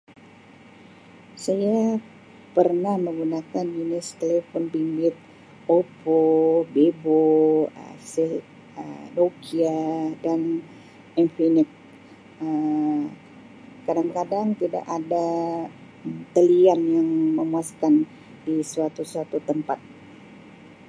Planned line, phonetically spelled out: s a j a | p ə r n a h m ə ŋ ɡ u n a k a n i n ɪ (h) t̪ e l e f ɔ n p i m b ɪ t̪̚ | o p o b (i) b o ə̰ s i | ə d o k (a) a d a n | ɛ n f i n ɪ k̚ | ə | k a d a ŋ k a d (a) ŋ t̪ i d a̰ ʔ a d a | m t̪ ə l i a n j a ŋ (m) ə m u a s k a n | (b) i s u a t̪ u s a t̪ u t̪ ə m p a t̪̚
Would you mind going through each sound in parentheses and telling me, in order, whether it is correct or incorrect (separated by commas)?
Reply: incorrect, incorrect, incorrect, correct, correct, incorrect